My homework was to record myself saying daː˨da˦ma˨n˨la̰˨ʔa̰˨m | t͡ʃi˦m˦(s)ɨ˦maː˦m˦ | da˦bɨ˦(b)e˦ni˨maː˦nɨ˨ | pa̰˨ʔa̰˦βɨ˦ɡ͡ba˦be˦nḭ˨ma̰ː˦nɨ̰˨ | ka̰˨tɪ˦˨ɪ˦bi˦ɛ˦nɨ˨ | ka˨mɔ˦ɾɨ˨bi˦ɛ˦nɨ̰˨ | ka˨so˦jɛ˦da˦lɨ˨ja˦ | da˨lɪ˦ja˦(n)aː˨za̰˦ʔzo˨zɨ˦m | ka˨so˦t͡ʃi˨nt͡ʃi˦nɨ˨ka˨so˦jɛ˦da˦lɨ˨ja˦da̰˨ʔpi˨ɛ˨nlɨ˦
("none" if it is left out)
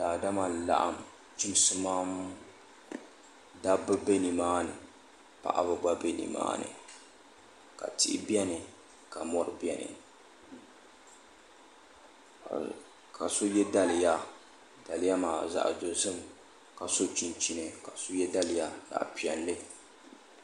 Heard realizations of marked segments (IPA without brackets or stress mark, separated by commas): s, b, m